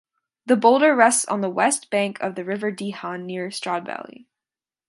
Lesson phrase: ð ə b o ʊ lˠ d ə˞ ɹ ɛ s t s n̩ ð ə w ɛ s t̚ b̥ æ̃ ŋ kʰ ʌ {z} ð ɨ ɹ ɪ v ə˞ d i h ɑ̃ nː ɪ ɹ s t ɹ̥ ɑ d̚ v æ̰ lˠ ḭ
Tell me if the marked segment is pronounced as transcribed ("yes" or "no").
no